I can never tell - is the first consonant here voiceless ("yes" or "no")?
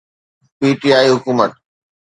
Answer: yes